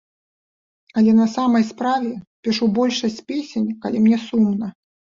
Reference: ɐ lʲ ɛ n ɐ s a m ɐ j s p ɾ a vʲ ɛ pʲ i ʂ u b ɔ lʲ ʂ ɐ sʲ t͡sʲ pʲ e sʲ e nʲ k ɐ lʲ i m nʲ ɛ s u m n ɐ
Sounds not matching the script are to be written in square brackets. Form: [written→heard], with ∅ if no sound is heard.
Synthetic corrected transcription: ɐ lʲ ɛ n ɐ s a m ɐ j s p ɾ a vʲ ɛ pʲ i ʂ u b ɔ lʲ ʂ ɐ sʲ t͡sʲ pʲ e sʲ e nʲ k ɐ lʲ i m nʲ ɛ s u m n ɐ